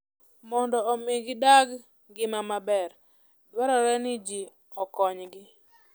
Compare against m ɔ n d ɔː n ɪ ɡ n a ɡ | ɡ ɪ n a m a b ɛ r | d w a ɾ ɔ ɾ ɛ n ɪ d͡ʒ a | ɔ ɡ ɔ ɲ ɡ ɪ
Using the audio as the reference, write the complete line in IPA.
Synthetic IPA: m ɔ n d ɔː m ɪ ɡ d a ɡ | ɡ ɪ m a m a b ɛ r | d w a ɾ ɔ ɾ ɛ n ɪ d͡ʒ i | ɔ k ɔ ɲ ɡ ɪ